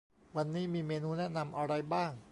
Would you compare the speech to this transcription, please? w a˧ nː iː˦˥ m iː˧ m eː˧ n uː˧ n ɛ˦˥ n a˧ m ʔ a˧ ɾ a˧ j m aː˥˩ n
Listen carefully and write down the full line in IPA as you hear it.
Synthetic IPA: w a˧ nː iː˦˥ m iː˧ m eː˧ n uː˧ n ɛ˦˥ n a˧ m ʔ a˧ ɾ a˧ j b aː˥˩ ŋ